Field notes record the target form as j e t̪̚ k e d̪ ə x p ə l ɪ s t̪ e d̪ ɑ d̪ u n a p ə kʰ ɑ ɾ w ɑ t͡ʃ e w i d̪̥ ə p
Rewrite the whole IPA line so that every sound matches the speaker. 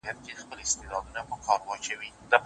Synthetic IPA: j a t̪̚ k e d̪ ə x p ə l ɪ s t̪ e d̪ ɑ d̪ u n a p ə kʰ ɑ ɾ w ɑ t͡ʃ a w i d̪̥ ə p